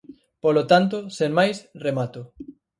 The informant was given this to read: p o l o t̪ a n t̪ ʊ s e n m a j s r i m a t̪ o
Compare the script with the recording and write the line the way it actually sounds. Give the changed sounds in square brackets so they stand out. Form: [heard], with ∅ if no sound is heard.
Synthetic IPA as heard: p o l o t̪ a n t̪ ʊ s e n m a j s r [e] m a t̪ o

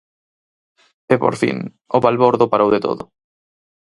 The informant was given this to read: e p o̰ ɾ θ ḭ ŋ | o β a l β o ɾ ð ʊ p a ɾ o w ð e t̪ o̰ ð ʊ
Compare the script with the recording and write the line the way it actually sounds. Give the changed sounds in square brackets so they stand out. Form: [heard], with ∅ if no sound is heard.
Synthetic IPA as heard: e p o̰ ɾ [f] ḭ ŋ | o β a l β o ɾ ð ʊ p a ɾ o w ð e t̪ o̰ ð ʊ

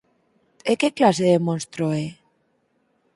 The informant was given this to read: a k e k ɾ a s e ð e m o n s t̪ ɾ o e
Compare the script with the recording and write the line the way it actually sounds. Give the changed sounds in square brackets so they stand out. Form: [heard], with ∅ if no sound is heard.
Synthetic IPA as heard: [e] k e k [l] a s e ð e m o n s t̪ ɾ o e

